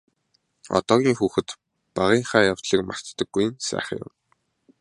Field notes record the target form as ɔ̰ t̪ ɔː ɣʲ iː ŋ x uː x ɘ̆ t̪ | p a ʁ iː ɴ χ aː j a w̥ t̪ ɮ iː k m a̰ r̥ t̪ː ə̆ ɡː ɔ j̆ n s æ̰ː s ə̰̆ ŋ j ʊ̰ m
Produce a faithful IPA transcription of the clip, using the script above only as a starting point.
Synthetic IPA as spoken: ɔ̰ t̪ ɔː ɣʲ iː ŋ x uː x ɘ̆ t̪ | p a ʁ iː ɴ χ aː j a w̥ t̪ ɮ iː k m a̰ r̥ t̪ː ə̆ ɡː u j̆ n s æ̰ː χ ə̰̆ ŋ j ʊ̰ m